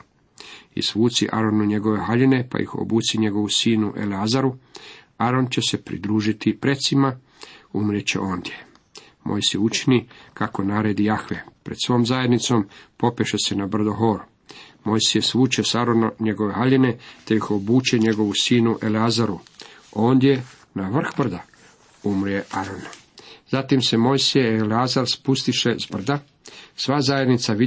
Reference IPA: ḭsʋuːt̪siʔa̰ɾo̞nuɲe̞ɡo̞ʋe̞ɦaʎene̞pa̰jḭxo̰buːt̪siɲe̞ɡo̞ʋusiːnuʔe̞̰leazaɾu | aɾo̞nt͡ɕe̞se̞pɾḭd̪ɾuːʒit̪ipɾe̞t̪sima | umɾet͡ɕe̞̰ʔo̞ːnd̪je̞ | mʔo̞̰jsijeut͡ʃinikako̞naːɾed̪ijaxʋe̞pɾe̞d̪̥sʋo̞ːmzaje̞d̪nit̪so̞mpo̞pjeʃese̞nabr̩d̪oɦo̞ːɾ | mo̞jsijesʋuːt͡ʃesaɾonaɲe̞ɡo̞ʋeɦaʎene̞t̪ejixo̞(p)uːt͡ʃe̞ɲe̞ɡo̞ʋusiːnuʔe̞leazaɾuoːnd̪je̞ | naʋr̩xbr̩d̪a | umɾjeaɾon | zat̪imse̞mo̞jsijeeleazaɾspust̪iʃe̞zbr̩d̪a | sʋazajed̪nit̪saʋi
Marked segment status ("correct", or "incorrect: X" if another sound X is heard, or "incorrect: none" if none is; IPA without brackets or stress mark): incorrect: b